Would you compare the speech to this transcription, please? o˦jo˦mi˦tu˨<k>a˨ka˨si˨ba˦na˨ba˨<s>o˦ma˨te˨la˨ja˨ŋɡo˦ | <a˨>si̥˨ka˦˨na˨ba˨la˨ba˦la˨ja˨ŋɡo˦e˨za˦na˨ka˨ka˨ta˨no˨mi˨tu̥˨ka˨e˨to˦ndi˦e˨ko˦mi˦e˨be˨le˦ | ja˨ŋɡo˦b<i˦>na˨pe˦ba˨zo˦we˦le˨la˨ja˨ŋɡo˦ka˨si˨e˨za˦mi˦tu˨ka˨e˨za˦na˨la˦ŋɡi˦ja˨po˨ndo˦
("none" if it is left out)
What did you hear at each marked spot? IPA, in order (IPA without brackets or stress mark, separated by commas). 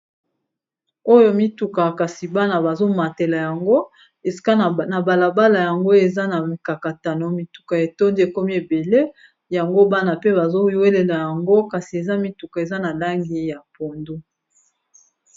k, z, e˨, a˦